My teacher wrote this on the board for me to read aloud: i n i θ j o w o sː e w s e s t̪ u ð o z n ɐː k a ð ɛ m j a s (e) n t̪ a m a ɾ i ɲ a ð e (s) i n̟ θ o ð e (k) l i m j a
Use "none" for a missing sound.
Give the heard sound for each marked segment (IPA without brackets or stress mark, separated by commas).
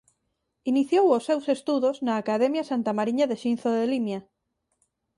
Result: a, ʃ, none